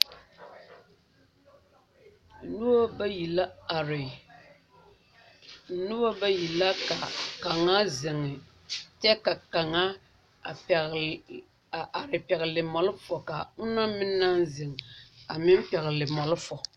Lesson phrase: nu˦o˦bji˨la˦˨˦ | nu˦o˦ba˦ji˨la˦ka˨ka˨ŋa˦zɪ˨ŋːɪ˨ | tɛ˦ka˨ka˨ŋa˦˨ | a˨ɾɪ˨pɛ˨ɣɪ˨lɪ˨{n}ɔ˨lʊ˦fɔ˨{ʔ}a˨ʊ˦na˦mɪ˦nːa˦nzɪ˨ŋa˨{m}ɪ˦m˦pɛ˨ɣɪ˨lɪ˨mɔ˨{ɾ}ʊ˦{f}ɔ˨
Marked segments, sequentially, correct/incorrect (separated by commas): incorrect, incorrect, correct, incorrect, correct